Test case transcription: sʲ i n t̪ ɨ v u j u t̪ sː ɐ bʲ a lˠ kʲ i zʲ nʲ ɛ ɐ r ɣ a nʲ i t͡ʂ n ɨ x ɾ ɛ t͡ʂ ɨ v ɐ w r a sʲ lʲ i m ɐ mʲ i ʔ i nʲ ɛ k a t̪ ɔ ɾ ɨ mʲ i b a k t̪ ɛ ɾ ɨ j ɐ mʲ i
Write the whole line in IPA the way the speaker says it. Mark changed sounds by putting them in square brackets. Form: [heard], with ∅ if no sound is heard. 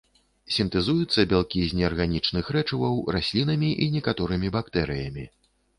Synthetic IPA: sʲ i n t̪ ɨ [z] u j u t̪ sː ɐ bʲ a lˠ kʲ i zʲ nʲ ɛ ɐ r ɣ a nʲ i t͡ʂ n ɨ x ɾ ɛ t͡ʂ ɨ v ɐ w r a sʲ lʲ i [n] ɐ mʲ i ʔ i nʲ ɛ k a t̪ ɔ ɾ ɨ mʲ i b a k t̪ ɛ ɾ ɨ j ɐ mʲ i